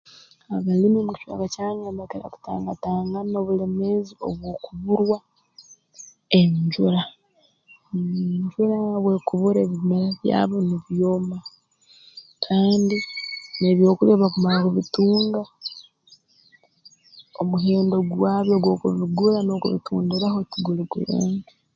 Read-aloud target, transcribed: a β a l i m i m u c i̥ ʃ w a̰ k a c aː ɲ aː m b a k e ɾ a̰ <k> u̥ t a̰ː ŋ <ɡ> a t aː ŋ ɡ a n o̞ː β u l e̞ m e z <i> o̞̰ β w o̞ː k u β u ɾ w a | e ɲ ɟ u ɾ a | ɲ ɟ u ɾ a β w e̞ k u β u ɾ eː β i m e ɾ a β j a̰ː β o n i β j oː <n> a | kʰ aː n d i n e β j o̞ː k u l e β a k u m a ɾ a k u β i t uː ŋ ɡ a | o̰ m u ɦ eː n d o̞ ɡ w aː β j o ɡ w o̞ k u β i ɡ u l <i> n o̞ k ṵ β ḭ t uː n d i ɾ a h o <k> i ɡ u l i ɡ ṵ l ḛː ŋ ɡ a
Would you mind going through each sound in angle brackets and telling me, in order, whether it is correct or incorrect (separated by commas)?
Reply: correct, correct, correct, incorrect, incorrect, incorrect